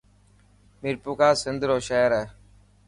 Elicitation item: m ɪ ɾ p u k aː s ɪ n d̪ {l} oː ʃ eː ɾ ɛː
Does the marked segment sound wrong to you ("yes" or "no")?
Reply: yes